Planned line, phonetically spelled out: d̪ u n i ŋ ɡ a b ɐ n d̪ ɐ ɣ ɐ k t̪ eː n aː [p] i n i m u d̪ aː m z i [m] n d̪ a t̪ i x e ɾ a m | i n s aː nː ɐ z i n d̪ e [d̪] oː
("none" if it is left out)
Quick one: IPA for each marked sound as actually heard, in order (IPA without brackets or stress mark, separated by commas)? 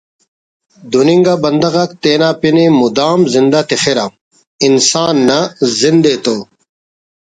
p, none, t̪